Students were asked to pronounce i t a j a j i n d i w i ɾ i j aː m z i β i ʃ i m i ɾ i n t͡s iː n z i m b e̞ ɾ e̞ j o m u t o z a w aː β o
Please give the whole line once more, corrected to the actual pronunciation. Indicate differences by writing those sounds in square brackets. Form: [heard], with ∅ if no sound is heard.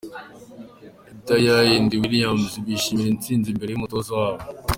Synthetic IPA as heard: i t a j a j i n d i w i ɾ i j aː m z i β i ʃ i m i ɾ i n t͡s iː n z i m b e̞ ɾ e̞ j [u] m u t o z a w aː β o